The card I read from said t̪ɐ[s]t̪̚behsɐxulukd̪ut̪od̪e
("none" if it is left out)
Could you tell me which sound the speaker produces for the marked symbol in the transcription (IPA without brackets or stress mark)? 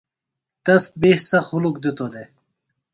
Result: s